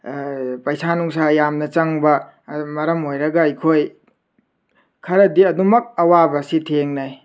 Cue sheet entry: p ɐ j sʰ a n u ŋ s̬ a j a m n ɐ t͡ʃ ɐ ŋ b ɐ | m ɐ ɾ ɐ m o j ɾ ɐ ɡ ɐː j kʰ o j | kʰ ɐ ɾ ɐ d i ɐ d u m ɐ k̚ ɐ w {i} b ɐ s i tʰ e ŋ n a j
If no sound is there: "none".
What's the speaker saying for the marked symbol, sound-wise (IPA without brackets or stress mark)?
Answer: a